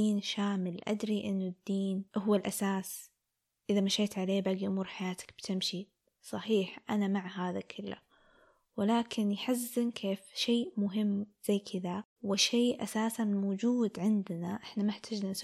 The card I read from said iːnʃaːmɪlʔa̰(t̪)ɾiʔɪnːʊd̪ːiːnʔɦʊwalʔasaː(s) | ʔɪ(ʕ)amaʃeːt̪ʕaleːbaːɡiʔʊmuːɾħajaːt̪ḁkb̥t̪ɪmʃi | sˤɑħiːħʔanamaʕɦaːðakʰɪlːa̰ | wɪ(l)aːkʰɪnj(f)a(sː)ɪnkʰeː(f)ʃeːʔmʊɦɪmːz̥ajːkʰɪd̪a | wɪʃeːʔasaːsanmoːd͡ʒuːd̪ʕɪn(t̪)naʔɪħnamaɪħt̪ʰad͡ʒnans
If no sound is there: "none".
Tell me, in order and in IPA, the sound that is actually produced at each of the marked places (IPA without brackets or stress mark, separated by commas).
d̪, s, ð, l, ħ, zː, f, d̪